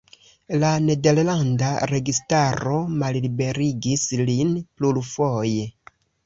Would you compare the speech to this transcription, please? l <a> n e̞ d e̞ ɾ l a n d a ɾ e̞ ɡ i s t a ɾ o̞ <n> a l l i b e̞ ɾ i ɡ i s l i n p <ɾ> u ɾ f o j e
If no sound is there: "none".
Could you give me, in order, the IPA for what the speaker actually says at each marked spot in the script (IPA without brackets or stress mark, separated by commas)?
a, m, l